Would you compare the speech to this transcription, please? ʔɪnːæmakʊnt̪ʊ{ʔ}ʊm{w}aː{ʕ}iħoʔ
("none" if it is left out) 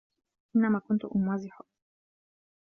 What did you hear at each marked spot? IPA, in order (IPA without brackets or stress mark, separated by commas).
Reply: ʔ, w, z